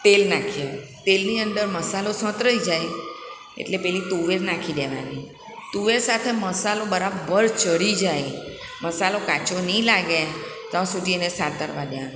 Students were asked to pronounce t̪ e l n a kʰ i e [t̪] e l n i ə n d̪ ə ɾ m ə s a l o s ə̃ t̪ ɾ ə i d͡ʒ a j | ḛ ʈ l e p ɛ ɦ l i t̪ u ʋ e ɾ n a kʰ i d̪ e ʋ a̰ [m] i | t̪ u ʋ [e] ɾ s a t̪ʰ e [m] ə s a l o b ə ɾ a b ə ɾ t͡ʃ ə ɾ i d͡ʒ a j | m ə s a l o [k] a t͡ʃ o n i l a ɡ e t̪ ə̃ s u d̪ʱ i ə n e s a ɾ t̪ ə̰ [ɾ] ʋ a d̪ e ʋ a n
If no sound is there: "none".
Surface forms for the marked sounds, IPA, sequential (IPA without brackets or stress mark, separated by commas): t̪, n, e, m, k, ɾ